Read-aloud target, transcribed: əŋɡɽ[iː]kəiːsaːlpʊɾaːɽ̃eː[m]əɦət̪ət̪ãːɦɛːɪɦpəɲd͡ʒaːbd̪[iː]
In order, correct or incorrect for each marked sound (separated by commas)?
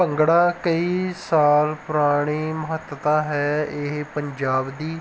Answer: incorrect, correct, correct